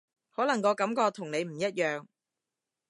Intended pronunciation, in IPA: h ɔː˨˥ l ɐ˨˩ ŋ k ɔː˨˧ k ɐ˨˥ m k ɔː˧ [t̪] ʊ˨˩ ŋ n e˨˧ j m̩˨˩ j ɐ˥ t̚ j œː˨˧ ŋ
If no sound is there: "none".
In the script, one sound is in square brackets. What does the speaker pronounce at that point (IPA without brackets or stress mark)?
t̪ʰ